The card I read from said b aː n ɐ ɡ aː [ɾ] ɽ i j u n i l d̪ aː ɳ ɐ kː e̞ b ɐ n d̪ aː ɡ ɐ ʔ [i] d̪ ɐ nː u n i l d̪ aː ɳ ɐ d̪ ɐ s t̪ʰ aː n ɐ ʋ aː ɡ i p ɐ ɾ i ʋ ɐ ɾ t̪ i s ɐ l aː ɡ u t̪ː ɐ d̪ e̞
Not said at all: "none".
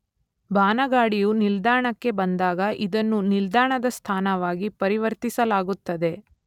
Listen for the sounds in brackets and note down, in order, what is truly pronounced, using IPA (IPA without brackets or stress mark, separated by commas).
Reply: none, i